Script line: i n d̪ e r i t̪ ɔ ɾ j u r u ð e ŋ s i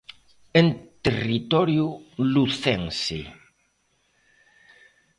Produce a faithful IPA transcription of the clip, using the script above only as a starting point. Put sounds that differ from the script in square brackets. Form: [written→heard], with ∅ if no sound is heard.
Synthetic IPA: [i→e] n [d̪→t̪] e r i t̪ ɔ ɾ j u [r→l] u [ð→θ] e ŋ s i